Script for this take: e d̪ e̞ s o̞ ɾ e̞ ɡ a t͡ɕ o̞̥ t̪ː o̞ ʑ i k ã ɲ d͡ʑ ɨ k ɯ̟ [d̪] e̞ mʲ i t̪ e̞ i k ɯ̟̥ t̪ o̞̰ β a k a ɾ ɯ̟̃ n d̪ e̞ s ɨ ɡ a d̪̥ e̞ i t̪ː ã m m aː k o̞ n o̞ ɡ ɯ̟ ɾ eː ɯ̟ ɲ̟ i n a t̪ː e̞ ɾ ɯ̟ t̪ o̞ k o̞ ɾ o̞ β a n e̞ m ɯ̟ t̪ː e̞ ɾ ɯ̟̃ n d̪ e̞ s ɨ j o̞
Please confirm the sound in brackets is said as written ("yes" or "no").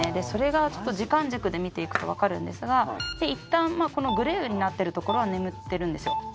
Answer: yes